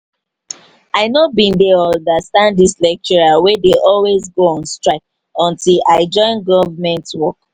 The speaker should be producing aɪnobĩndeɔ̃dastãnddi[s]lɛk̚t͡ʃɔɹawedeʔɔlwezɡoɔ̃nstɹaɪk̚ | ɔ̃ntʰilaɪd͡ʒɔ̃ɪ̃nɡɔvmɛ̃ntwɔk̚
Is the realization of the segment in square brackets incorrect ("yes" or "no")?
no